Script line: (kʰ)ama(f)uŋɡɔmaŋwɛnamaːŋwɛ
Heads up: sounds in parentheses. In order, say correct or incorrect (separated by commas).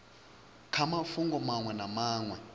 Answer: correct, correct